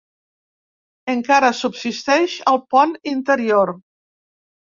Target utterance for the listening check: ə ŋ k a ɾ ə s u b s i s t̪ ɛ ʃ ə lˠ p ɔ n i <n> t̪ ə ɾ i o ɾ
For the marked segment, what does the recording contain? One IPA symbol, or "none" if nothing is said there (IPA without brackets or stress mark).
n